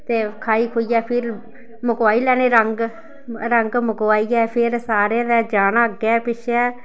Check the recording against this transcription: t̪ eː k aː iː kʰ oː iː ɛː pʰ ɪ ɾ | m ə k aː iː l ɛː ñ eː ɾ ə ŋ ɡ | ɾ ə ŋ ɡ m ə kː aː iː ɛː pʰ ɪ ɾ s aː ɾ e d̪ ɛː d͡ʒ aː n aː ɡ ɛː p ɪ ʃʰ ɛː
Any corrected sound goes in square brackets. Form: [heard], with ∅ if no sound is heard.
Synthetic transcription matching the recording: t̪ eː [kʰ] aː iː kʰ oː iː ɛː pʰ ɪ ɾ | m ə k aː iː l ɛː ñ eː ɾ ə ŋ ɡ | ɾ ə ŋ ɡ m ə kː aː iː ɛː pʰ ɪ ɾ s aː ɾ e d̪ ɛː d͡ʒ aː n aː ɡ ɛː p ɪ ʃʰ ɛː

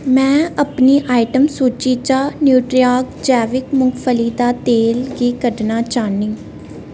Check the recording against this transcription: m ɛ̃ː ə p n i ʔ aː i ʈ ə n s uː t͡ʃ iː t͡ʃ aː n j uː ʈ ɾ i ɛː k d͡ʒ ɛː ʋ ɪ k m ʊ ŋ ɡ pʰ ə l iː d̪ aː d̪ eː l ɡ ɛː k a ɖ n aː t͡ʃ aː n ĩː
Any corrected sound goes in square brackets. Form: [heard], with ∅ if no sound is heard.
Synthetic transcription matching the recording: m ɛ̃ː ə p n [iː] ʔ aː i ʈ ə [m] s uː t͡ʃ iː t͡ʃ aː n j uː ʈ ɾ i [aː] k d͡ʒ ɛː ʋ ɪ k m ʊ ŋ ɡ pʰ ə l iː d̪ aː [t̪] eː l ɡ [iː] k [ə] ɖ n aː t͡ʃ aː n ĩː

